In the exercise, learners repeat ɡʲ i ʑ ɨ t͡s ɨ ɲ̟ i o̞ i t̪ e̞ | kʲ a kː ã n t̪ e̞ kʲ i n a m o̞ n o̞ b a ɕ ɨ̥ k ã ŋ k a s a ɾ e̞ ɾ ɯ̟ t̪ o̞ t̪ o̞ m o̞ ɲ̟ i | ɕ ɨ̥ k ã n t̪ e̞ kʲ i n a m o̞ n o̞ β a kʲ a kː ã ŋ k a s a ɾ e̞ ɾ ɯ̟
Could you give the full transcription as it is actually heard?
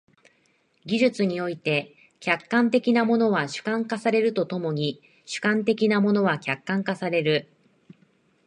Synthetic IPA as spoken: ɡʲ i ʑ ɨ t͡s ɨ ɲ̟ i o̞ i t̪ e̞ | kʲ a kː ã n t̪ e̞ kʲ i n a m o̞ n o̞ β a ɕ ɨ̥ k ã ŋ k a s a ɾ e̞ ɾ ɯ̟ t̪ o̞ t̪ o̞ m o̞ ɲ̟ i | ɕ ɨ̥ k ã n t̪ e̞ kʲ i n a m o̞ n o̞ β a kʲ a kː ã ŋ k a s a ɾ e̞ ɾ ɯ̟